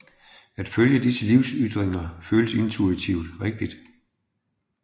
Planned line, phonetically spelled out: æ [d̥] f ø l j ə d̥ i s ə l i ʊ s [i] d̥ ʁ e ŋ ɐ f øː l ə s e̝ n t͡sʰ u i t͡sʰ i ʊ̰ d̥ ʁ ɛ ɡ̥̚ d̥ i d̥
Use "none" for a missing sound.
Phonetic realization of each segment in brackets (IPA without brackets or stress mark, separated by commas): d̥, y